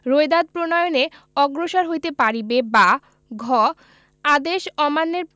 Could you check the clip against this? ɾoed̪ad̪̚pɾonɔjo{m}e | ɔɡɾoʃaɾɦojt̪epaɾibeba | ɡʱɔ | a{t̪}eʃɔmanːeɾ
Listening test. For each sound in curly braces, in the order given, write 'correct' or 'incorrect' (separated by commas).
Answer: incorrect, incorrect